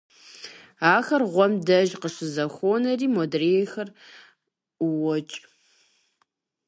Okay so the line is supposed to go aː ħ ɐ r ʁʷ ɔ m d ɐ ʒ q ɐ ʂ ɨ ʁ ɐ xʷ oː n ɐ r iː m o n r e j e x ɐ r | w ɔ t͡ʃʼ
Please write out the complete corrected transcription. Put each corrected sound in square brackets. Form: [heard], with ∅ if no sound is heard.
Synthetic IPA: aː [x] ɐ r ʁʷ ɔ m d ɐ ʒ q [ə] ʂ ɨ [z] ɐ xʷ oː n ɐ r iː m o [d] r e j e x ɐ r | w ɔ t͡ʃʼ